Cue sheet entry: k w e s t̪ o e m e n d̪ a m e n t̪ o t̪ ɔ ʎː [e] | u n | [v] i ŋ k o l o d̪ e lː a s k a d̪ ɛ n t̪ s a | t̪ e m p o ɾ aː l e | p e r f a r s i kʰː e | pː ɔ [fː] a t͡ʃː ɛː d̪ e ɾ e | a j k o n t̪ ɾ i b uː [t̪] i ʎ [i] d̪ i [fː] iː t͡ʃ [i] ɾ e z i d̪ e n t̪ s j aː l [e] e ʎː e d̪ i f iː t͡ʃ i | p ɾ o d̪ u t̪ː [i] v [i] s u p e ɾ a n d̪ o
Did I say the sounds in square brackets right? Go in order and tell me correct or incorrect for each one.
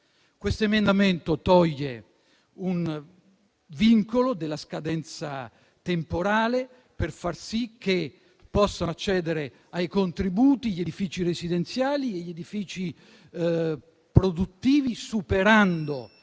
correct, correct, incorrect: sː, correct, incorrect: e, incorrect: f, correct, incorrect: i, incorrect: iː, correct

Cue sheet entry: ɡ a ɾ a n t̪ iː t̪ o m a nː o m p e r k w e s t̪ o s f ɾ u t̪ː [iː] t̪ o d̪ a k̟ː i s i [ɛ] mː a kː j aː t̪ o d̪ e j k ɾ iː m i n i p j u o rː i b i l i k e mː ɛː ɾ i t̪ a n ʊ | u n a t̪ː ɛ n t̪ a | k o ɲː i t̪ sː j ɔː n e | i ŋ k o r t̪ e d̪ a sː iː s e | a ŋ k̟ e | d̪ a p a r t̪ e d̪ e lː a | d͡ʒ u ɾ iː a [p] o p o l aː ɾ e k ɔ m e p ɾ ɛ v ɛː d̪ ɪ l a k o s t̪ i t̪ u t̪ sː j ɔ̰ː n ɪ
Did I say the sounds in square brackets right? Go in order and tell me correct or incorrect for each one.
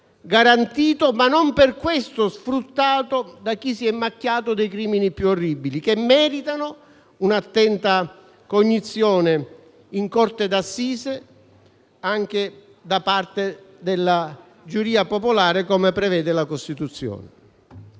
incorrect: aː, correct, correct

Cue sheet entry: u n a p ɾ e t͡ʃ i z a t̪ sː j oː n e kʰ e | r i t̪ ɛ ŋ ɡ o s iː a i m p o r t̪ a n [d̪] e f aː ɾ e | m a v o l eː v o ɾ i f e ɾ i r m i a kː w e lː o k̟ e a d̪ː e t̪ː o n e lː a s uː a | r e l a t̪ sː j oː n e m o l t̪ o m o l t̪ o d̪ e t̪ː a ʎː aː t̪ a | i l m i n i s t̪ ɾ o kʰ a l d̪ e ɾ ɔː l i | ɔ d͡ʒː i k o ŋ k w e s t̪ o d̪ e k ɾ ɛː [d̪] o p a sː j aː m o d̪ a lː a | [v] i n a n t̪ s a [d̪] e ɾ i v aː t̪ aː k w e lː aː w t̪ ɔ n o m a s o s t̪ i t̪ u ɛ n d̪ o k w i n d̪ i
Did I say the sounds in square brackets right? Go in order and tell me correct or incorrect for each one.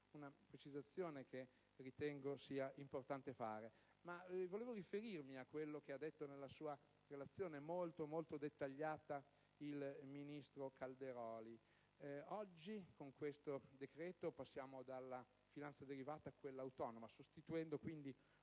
incorrect: t̪, incorrect: t̪, incorrect: f, correct

